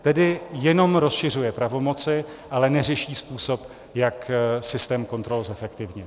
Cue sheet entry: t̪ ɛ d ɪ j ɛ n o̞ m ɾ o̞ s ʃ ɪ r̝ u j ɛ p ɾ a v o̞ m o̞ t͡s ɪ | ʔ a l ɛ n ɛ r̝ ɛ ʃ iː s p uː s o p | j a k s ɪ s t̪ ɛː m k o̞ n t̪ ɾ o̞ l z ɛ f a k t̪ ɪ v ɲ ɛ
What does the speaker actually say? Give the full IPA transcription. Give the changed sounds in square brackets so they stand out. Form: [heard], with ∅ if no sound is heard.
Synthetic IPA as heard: t̪ ɛ d ɪ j ɛ n o̞ m ɾ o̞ s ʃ ɪ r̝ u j ɛ p ɾ a v o̞ m o̞ t͡s ɪ | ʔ a l ɛ n ɛ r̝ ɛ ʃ iː s p uː s o p | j a k s ɪ s t̪ ɛː m k o̞ n t̪ ɾ o̞ l z ɛ f [ɛ] k t̪ ɪ v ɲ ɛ